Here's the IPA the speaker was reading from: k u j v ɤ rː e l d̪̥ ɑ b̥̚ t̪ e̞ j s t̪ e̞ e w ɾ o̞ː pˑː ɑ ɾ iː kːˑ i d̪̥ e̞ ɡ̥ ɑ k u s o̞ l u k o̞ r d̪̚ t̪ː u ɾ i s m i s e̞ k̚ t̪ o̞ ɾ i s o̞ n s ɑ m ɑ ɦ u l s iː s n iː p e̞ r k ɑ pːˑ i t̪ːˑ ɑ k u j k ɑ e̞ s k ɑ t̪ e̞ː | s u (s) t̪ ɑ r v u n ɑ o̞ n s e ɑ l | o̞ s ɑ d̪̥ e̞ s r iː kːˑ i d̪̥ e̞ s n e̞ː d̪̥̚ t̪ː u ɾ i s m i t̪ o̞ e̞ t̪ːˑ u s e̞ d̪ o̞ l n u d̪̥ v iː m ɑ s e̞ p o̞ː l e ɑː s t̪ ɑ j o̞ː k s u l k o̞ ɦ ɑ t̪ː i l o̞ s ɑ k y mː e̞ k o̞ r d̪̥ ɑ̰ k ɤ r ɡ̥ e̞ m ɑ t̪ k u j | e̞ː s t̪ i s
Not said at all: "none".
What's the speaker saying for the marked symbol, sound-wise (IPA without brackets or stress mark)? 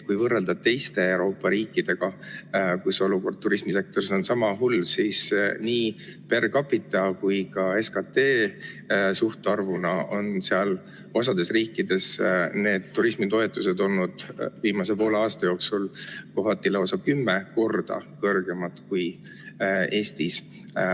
h